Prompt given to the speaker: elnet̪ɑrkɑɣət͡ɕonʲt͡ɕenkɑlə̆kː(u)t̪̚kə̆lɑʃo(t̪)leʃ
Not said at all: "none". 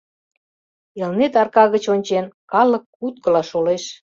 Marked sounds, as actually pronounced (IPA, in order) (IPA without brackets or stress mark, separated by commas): u, none